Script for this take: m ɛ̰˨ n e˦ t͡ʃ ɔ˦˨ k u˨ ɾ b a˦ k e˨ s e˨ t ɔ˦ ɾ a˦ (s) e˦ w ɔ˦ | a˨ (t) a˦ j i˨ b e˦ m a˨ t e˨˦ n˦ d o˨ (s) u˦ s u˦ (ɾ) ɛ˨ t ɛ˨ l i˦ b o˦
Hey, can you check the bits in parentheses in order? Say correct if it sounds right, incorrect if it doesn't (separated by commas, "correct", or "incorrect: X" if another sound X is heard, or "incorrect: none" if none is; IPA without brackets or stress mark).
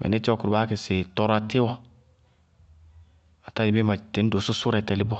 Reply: incorrect: t, correct, correct, correct